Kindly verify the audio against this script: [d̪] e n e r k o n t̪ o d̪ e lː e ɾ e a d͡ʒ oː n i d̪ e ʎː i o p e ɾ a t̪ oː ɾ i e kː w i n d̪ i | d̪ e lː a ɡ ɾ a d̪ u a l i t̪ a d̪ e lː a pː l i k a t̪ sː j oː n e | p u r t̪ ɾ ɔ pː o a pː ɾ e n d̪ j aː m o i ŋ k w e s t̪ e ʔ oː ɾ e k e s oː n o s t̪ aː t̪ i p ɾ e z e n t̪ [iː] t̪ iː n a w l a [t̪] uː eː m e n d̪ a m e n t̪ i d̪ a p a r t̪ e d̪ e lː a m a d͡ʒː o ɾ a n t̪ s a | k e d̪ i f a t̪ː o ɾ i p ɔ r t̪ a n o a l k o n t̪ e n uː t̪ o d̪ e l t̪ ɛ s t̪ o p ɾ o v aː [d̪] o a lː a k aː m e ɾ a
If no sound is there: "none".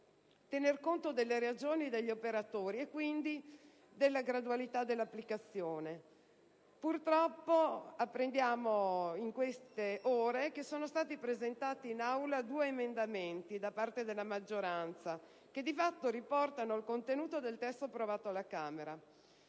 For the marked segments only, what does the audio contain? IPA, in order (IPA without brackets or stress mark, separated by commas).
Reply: t̪, aː, d̪, t̪